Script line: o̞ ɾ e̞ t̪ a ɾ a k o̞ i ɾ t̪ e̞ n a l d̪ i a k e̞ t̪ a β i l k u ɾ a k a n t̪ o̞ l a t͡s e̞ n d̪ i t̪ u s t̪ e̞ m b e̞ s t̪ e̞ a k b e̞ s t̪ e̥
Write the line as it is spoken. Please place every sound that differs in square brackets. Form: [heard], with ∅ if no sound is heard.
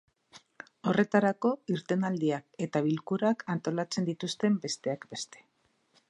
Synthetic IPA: o̞ [r] e̞ t̪ a ɾ a k o̞ i ɾ t̪ e̞ n a l d̪ i a k e̞ t̪ a β i l k u ɾ a k a n t̪ o̞ l a t͡s e̞ n d̪ i t̪ u s t̪ e̞ m b e̞ s t̪ e̞ a k b e̞ s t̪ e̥